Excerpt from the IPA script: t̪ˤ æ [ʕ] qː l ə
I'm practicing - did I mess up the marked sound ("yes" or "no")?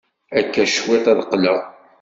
yes